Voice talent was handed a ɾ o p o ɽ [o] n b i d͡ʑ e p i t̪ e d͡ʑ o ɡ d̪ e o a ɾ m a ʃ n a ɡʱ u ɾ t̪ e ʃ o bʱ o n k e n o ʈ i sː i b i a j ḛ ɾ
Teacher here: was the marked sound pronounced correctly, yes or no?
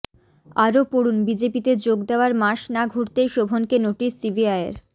no